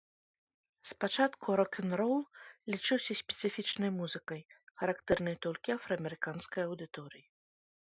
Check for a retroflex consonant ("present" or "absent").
present